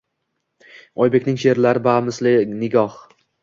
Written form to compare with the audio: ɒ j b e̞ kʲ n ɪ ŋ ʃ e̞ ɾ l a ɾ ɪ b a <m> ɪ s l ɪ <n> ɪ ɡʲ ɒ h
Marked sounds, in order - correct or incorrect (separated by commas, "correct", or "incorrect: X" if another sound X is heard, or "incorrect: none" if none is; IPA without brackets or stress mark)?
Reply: correct, correct